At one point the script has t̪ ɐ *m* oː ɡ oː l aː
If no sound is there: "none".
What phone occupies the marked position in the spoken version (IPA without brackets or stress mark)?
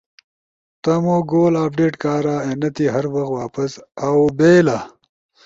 m